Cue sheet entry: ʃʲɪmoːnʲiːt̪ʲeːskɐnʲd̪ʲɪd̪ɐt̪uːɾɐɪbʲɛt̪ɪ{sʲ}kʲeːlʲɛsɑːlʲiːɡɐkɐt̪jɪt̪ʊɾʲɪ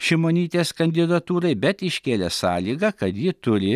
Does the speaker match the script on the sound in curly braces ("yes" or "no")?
no